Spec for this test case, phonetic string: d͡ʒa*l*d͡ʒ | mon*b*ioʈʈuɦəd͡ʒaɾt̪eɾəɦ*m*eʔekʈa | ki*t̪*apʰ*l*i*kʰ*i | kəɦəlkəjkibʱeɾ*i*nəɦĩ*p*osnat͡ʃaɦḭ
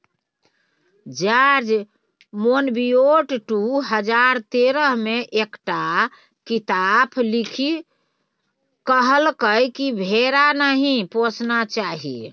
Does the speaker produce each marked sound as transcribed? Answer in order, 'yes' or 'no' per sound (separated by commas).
no, yes, yes, yes, yes, yes, no, yes